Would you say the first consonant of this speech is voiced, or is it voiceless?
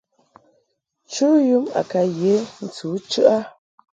voiceless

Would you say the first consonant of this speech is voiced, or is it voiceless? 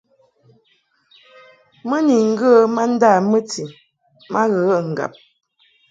voiced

